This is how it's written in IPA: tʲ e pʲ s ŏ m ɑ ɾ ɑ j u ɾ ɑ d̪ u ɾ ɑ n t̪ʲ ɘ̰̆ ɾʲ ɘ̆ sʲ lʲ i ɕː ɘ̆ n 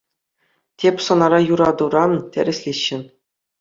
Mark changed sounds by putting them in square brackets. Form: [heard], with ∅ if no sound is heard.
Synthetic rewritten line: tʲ e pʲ s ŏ [n] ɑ ɾ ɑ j u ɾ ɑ d̪ u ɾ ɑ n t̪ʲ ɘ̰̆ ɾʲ ɘ̆ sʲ lʲ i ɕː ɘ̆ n

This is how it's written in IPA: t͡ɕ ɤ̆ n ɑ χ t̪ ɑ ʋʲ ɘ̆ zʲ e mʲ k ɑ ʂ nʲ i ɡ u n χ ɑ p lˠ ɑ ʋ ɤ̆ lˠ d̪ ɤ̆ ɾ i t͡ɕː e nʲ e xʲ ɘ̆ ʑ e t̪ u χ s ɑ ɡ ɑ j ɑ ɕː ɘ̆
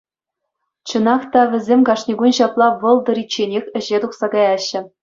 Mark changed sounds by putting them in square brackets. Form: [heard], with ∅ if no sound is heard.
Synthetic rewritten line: t͡ɕ ɤ̆ n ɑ χ t̪ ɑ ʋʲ ɘ̆ zʲ e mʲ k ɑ ʂ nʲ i ɡ u n [ɕ] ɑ p lˠ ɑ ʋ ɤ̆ lˠ d̪ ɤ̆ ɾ i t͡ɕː e nʲ e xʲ ɘ̆ ʑ e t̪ u χ s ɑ ɡ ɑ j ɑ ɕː ɘ̆

